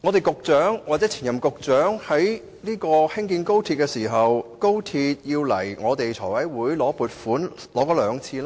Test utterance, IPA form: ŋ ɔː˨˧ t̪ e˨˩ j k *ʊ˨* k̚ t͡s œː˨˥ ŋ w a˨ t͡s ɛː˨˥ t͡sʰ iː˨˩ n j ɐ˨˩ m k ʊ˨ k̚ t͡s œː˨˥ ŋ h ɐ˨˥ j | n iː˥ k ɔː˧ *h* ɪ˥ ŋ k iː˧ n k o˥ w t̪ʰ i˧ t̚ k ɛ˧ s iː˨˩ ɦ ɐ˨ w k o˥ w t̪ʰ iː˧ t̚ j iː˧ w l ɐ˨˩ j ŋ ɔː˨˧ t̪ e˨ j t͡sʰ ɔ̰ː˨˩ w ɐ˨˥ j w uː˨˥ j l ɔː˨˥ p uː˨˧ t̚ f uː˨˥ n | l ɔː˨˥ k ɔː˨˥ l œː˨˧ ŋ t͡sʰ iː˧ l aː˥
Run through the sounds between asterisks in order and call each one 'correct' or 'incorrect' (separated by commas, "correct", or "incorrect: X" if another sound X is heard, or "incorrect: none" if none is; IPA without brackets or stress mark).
correct, correct